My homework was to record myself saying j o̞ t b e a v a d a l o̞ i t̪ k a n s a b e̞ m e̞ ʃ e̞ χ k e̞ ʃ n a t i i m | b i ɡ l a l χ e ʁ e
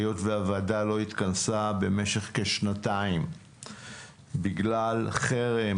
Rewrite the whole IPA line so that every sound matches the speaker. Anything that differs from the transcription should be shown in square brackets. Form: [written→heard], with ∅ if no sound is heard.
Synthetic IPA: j o̞ t [b→v] e a v a d a l o̞ i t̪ k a n s a b e̞ m e̞ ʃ e̞ χ k e̞ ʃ n a t [i→a] i m | b i ɡ l a l χ e ʁ e

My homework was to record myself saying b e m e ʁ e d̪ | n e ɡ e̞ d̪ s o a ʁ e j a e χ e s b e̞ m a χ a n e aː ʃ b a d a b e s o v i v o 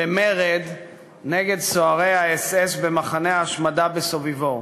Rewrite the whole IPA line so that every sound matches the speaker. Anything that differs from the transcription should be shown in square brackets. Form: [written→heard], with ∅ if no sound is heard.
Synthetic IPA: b e m e ʁ e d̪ | n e ɡ e̞ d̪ s o a ʁ e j a e [χ→s] e s b e̞ m a χ a n e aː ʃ [b→m] a d a b e s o v i v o

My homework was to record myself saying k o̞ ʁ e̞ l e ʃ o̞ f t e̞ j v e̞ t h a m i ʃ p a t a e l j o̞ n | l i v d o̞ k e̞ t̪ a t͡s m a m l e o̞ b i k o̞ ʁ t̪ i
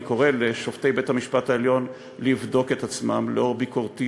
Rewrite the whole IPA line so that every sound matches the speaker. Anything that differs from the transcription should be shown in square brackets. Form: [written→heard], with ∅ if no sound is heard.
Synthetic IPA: k o̞ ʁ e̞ l e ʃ o̞ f t e̞ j [v→b] e̞ t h a m i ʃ p a t a e l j o̞ n | l i v d o̞ k e̞ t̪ a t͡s m a m l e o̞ b i k o̞ ʁ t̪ i

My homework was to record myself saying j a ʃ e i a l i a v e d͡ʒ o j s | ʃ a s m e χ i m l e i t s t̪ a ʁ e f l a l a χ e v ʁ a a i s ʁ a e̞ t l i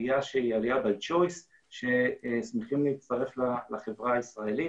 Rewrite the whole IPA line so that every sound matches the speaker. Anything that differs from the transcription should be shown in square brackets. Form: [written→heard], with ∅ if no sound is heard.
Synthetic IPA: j a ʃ e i a l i a [v→b] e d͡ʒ o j s | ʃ [a→e] s m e χ i m l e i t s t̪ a ʁ e f l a l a χ e v ʁ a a i s ʁ a e̞ [t→∅] l i

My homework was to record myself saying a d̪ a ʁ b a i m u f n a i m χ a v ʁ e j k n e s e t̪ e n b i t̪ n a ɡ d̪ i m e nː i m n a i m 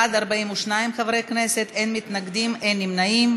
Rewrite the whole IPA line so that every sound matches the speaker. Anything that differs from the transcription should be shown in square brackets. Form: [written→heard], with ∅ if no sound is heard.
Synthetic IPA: a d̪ a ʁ b a i m u [f→ʃ] n a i m χ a v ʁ e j k n e s e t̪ e n [b→m] i t̪ n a ɡ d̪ i m e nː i m n a i m

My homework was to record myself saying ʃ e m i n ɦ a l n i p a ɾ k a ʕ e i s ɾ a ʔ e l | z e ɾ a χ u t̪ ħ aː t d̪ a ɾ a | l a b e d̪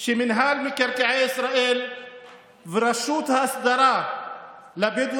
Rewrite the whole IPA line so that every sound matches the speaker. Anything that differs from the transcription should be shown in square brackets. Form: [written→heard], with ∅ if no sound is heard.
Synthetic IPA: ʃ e m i n ɦ a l [n→m] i [p→k] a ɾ k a ʕ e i s ɾ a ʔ e l | [z→v] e ɾ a [χ→ʃ] u t̪ [ħ→h] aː [t→s] d̪ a ɾ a | l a b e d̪

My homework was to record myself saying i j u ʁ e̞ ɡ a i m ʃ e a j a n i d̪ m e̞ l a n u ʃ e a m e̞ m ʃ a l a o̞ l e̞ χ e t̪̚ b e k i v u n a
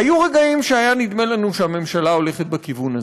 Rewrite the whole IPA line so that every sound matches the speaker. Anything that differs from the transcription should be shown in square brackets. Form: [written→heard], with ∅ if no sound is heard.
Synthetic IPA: [i→a] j u ʁ e̞ ɡ a i m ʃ e a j a n i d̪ m e̞ l a n u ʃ e a m e̞ m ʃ a l a o̞ l e̞ χ e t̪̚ b e k i v u n a

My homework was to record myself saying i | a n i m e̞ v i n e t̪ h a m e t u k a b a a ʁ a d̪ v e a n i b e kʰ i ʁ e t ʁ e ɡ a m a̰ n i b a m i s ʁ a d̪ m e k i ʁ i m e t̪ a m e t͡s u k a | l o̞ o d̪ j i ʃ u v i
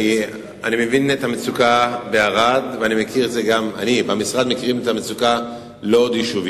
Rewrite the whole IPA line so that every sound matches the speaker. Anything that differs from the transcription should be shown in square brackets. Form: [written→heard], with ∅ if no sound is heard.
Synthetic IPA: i | a n i m e̞ v i n e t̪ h a m e [t→t͡s] u k a b [a→e] a ʁ a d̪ v e a n i [b→m] e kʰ i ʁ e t [ʁ→z] e ɡ a m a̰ n i b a m i s ʁ a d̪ m e k i ʁ i m e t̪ a m e t͡s u k a | l o̞ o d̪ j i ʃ u v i

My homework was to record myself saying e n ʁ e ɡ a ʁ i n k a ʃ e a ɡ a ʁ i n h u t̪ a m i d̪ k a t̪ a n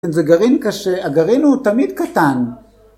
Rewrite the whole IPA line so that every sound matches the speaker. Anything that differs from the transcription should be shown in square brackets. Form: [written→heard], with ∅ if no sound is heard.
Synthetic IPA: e n [ʁ→z] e ɡ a ʁ i n k a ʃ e a ɡ a ʁ i n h u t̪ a m i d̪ k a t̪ a n

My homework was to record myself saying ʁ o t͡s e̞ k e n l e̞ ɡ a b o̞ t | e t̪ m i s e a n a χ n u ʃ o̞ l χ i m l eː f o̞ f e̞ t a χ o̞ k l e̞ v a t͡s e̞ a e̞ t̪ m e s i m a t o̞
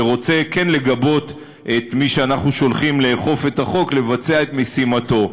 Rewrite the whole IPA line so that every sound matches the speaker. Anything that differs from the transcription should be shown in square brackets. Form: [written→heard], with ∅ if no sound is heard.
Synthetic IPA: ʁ o t͡s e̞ k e n l e̞ ɡ a b o̞ t | e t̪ m i [s→ʃ] e a n a χ n u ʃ o̞ l χ i m l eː [f→χ] o̞ f e̞ t a χ o̞ k l e̞ v a t͡s e̞ a e̞ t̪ m e s i m a t o̞

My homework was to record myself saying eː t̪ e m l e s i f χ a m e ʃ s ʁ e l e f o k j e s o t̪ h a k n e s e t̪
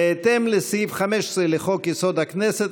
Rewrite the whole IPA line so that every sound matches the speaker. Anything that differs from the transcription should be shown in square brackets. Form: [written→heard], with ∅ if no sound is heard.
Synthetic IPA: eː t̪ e m l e s i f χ a m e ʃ s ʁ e l e [f→χ] o k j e s o [t̪→d̪] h a k n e s e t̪

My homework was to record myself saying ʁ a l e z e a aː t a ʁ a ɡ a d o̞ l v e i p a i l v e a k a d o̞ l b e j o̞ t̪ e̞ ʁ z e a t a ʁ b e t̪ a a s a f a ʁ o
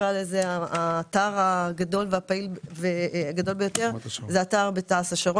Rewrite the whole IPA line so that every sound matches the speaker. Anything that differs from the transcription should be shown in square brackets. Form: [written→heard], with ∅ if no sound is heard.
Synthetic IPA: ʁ a l e z e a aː t a ʁ a ɡ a d o̞ l v e [i→a] p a i l v e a [k→ɡ] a d o̞ l b e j o̞ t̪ e̞ ʁ z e a t a ʁ b e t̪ a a s a [f→ʃ] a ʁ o

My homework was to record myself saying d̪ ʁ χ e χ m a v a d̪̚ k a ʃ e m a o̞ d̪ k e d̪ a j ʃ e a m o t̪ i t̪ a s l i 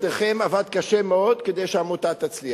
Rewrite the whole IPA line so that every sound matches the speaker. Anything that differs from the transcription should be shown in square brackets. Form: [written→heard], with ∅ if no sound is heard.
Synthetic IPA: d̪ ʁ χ e [χ→∅] m a v a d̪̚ k a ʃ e m [a→e] o̞ d̪ k e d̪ [a→e] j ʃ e a m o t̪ [i→a] t̪ a [s→t͡s] l i

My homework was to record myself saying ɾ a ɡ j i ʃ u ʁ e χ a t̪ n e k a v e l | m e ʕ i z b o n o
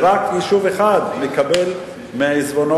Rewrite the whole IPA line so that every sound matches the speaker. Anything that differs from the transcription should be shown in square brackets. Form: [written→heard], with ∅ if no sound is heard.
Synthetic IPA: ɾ a [ɡ→k] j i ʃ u [ʁ→v] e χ a [t̪→d̪] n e k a [v→b] e l | m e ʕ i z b o n o

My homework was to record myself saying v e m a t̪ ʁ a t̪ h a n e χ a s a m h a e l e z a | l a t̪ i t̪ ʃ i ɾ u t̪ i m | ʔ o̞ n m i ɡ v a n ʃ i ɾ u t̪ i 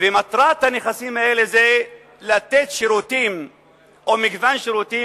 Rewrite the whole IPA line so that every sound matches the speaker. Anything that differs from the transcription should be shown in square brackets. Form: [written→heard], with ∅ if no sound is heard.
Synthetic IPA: v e m a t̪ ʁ a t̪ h a n e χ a s [a→i] m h a e l e z [a→e] | l a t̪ [i→e] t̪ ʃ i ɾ u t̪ i m | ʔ o̞ [n→∅] m i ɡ v a n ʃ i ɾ u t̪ i

